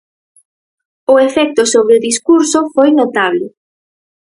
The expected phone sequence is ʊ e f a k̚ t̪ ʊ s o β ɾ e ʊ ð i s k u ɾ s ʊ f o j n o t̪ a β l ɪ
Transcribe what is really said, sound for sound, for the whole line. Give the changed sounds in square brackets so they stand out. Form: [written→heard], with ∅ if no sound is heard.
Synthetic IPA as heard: ʊ e f [a→ɛ] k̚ t̪ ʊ s o β ɾ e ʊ ð i s k u ɾ s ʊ f o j n o t̪ a β l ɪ